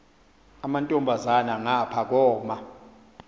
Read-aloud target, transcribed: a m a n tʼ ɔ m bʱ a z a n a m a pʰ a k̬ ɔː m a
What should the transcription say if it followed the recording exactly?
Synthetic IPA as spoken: a m a n tʼ ɔ m bʱ a z a n a ŋ a pʰ a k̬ ɔː m a